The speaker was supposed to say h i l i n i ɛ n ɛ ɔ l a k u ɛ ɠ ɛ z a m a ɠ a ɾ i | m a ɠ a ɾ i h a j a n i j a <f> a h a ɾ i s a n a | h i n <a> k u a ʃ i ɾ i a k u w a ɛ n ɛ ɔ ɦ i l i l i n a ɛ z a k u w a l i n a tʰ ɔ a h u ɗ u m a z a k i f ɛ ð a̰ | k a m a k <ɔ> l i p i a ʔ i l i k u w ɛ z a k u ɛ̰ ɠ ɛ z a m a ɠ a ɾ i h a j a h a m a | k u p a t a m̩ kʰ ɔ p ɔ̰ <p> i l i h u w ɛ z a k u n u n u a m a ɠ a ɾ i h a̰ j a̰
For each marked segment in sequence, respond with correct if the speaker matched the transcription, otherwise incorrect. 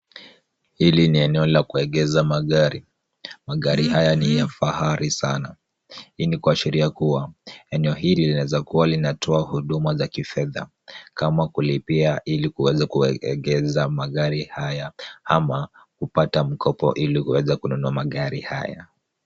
correct, incorrect: i, incorrect: u, incorrect: ʔ

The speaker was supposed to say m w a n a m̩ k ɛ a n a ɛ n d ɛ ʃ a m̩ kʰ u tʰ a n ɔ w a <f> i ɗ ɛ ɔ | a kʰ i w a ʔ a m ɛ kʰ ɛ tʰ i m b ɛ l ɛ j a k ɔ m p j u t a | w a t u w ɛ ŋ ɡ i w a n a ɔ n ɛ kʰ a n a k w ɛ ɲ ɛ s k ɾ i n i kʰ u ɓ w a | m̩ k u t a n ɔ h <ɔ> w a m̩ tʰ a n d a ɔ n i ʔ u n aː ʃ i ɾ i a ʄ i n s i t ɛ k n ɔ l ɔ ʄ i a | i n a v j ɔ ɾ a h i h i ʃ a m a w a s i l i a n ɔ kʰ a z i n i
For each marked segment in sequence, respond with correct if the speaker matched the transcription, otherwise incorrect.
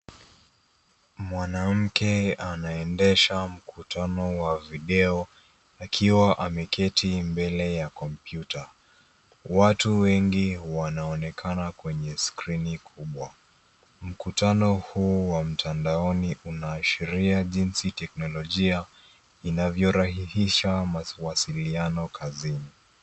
incorrect: v, incorrect: u

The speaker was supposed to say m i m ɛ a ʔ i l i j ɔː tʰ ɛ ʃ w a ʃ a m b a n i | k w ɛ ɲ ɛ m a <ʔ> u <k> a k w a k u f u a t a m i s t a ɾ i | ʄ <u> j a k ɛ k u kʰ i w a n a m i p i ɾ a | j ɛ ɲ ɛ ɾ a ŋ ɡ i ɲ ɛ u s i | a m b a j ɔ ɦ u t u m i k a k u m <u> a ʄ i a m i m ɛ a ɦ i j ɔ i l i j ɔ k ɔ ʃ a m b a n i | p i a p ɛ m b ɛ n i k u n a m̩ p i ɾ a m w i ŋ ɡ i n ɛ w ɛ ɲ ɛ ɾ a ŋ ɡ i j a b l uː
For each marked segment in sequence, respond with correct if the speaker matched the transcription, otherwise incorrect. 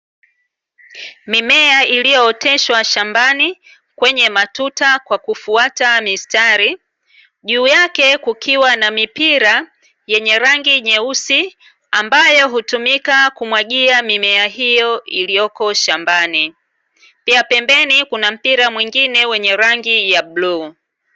incorrect: t, incorrect: t, incorrect: uː, incorrect: w

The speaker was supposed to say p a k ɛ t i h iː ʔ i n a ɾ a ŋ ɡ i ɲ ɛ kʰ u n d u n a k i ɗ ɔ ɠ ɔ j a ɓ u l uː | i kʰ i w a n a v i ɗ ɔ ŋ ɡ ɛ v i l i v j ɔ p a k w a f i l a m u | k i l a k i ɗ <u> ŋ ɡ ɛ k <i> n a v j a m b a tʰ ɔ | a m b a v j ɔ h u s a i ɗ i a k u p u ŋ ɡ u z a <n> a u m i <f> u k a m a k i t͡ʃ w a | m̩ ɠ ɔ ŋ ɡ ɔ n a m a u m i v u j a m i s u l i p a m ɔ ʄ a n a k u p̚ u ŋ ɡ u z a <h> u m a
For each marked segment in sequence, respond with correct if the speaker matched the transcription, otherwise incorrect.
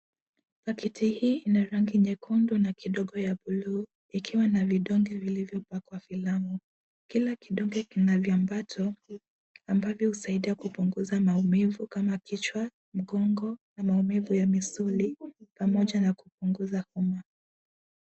incorrect: ɔ, correct, incorrect: m, incorrect: v, correct

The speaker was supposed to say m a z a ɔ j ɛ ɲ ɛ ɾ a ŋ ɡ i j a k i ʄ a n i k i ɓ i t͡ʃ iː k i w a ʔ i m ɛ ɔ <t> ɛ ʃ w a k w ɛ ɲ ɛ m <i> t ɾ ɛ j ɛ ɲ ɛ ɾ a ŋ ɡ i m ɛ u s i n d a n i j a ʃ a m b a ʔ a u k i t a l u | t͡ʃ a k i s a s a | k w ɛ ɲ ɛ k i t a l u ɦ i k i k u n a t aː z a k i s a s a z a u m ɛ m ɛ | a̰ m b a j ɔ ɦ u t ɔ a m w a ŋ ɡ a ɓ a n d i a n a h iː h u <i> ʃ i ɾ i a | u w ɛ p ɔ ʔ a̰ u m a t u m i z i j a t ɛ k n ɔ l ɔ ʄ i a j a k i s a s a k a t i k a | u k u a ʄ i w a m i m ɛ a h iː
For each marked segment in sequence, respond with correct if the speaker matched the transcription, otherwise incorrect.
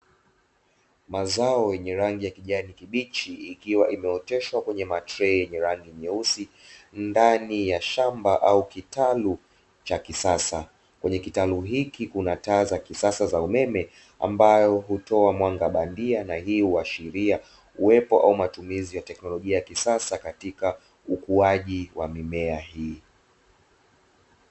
correct, incorrect: a, incorrect: a

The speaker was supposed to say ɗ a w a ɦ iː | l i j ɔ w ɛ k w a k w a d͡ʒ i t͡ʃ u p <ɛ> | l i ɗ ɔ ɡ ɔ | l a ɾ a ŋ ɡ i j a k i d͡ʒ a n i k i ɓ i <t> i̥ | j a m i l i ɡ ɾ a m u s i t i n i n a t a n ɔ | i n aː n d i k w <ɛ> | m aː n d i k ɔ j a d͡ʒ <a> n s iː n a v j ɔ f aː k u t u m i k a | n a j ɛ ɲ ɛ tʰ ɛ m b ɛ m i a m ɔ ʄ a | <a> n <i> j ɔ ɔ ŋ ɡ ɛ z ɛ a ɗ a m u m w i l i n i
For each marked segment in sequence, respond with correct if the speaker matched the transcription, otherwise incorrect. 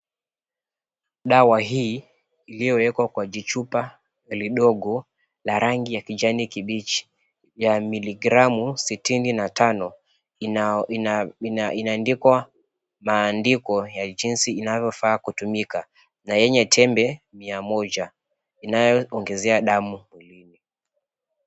incorrect: a, incorrect: t͡ʃ, incorrect: a, incorrect: i, incorrect: i, incorrect: a

